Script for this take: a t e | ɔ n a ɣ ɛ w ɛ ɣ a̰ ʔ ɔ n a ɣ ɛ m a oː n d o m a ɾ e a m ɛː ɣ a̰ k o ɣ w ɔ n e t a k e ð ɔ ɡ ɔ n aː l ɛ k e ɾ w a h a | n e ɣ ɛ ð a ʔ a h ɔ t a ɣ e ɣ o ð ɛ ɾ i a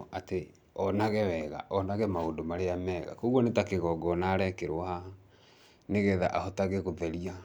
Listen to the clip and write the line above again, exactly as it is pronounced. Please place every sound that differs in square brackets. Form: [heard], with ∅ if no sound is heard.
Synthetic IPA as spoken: a t e | ɔ n a ɣ ɛ w ɛ ɣ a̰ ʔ ɔ n a ɣ ɛ m a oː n d o m a ɾ e a m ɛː ɣ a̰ k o ɣ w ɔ n e t a k e [ɣ] ɔ ɡ ɔ n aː [ɾ] ɛ k e ɾ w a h a | n e ɣ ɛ ð a ʔ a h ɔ t a ɣ e ɣ o ð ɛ ɾ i a